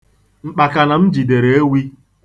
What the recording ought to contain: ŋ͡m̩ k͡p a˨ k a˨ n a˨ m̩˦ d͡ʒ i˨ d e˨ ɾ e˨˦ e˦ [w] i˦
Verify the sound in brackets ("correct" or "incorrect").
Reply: correct